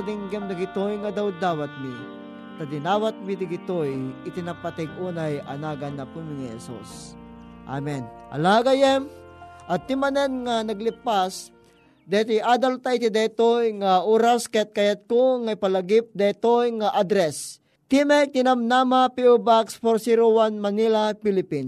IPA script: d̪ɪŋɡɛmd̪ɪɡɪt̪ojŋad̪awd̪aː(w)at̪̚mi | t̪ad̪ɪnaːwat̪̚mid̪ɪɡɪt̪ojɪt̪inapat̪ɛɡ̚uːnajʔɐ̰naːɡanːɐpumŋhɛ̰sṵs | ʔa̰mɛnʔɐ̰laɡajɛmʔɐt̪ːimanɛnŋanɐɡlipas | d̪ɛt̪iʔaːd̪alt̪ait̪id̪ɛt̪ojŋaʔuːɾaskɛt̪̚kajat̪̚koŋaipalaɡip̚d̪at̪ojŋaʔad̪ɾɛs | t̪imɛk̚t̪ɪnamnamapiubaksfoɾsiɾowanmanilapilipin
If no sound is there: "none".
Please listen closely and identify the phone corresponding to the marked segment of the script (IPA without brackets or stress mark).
w